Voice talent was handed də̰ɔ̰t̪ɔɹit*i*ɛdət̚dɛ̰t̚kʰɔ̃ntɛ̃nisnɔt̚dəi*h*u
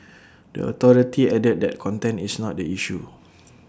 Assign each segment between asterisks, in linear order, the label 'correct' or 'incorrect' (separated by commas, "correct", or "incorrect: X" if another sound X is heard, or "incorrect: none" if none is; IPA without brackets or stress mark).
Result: correct, incorrect: ʃ